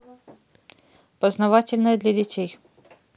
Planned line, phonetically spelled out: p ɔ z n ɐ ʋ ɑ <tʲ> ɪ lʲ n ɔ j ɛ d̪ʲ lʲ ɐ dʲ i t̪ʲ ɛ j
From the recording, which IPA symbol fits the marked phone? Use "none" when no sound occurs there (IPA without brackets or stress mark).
tʲ